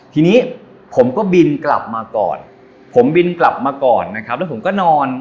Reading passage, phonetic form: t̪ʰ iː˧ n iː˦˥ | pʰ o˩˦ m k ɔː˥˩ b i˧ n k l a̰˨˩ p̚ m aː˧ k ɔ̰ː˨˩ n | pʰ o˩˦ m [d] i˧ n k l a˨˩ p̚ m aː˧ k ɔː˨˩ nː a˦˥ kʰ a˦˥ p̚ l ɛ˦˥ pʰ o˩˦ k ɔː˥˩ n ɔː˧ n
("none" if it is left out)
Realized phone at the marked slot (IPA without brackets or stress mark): b